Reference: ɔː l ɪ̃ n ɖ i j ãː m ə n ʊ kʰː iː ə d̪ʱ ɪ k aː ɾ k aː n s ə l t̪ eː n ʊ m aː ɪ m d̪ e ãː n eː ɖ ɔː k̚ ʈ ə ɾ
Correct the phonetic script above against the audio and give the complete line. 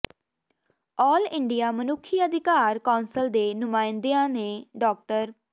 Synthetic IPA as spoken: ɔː l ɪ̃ ɳ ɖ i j aː m ə n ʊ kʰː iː ə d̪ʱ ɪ k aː ɾ k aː n s ə l d̪ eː n ʊ m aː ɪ n d̪ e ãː n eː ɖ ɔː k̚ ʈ ə ɾ

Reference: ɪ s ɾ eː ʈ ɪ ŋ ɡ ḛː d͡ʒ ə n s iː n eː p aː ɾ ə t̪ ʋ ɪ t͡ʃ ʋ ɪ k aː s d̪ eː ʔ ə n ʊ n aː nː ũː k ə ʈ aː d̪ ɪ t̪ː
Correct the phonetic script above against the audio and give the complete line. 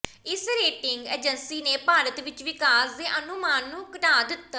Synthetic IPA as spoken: ɪ s ɾ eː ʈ ɪ ŋ ɡ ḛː d͡ʒ ə n s iː n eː p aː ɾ ə t̪ ʋ ɪ t͡ʃ ʋ ɪ k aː s d̪ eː ʔ ə n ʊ m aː nː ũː k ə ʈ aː d̪ ɪ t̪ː

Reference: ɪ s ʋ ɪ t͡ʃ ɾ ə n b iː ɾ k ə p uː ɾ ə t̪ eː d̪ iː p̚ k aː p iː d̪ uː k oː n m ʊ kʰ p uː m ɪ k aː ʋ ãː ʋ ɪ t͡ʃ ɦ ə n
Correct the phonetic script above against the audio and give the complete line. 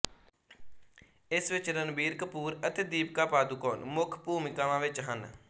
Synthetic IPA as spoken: ɪ s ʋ ɪ t͡ʃ ɾ ə n b iː ɾ k ə p uː ɾ ə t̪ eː d̪ iː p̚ k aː p aː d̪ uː k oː n m ʊ kʰ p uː m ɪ k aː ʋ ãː ʋ ɪ t͡ʃ ɦ ə n

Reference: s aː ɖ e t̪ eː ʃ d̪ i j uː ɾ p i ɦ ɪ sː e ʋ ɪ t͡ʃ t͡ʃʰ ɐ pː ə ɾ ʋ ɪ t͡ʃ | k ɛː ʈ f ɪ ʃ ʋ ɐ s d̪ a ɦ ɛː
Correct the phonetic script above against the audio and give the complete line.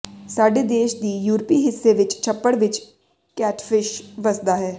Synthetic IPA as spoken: s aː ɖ e d̪ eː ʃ d̪ i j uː ɾ p i ɦ ɪ sː e ʋ ɪ t͡ʃ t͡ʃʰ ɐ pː ə ɽ ʋ ɪ t͡ʃ | k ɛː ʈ f ɪ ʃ ʋ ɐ s d̪ a ɦ ɛː

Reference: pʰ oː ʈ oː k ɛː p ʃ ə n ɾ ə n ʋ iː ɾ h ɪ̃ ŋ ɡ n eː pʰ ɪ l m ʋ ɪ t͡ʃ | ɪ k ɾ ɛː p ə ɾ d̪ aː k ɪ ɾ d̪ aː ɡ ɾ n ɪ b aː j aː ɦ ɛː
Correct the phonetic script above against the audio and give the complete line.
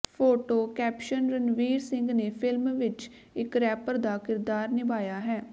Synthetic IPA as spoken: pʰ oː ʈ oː k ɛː p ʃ ə n ɾ ə n ʋ iː ɾ s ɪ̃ ŋ ɡ n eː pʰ ɪ l m ʋ ɪ t͡ʃ | ɪ k ɾ ɛː p ə ɾ d̪ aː k ɪ ɾ d̪ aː ɾ n ɪ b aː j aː ɦ ɛː

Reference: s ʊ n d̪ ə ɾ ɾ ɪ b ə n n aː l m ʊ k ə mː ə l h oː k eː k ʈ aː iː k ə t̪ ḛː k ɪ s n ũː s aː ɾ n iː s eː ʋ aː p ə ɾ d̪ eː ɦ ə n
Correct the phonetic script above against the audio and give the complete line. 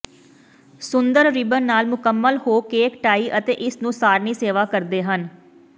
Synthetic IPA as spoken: s ʊ n d̪ ə ɾ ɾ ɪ b ə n n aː l m ʊ k ə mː ə l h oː k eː k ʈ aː iː ʔ ə t̪ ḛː ʔ ɪ s n ũː s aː ɾ n iː s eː ʋ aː k ə ɾ d̪ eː ɦ ə n

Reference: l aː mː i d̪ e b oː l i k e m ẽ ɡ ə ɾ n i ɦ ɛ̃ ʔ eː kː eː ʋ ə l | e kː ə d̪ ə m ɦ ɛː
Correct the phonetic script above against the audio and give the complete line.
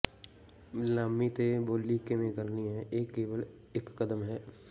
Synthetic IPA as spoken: l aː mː i t̪ e b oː l i k e m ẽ ɡ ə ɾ n i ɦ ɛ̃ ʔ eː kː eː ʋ ə l | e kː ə d̪ ə m ɦ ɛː

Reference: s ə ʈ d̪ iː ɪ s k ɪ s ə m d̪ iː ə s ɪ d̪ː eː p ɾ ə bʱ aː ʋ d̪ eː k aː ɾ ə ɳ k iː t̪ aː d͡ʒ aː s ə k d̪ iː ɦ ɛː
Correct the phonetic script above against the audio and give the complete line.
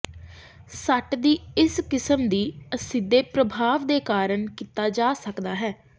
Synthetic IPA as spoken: s ə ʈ d̪ iː ɪ s k ɪ s ə m d̪ iː ə s ɪ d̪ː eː p ɾ ə bʱ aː ʋ d̪ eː k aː ɾ ə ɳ k iː t̪ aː d͡ʒ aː s ə k d̪ aː ɦ ɛː

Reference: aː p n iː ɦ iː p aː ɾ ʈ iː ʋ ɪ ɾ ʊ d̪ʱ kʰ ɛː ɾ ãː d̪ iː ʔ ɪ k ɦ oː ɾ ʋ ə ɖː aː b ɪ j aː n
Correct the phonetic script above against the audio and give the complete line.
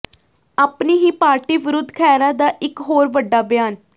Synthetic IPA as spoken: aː p n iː ɦ iː p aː ɾ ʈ iː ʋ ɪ ɾ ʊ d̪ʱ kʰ ɛː ɾ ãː d̪ aː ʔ ɪ k ɦ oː ɾ ʋ ə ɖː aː b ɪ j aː n

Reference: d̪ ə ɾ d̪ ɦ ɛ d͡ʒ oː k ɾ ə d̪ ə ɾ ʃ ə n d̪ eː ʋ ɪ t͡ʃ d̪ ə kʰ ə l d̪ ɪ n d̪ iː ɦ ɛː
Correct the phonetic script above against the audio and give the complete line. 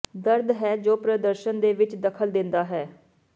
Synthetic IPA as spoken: d̪ ə ɾ d̪ ɦ ɛː d͡ʒ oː p ɾ ə d̪ ə ɾ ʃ ə n d̪ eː ʋ ɪ t͡ʃ d̪ ə kʰ ə l d̪ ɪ n d̪ aː ɦ ɛː

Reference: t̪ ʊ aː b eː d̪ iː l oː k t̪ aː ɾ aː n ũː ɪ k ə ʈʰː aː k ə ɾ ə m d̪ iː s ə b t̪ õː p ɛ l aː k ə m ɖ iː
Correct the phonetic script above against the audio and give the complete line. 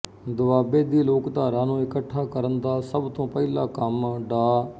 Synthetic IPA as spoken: d̪ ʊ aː b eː d̪ iː l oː k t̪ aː ɾ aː n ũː ɪ k ə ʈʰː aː k ə ɾ ə n d̪ aː s ə b t̪ õː p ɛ l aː k ə m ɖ aː

